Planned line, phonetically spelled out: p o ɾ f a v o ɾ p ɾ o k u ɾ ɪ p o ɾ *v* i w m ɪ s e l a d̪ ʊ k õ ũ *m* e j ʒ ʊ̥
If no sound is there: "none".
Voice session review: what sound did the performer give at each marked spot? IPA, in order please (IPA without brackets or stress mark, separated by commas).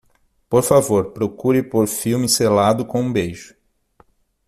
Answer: f, b